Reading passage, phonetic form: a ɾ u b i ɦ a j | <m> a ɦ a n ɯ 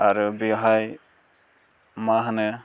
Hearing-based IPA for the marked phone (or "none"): m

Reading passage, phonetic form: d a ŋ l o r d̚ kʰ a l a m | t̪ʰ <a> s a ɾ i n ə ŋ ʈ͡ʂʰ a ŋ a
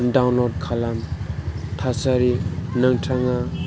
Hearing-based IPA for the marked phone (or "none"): a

